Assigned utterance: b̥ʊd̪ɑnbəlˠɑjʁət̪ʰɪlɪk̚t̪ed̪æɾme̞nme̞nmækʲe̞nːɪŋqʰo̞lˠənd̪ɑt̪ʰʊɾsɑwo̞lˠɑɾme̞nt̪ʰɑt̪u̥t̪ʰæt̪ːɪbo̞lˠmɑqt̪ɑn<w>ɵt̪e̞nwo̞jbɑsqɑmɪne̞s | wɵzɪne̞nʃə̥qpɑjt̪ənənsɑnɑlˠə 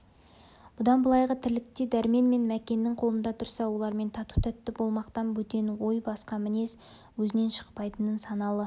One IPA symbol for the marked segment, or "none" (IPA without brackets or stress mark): b